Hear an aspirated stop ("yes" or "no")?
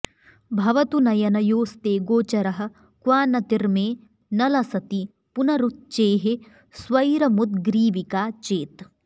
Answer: no